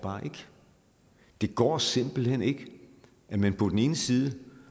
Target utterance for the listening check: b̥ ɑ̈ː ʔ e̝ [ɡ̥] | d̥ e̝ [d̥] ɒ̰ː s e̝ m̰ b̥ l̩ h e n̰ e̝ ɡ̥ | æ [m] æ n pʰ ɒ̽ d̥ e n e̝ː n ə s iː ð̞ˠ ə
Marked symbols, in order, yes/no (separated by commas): yes, no, yes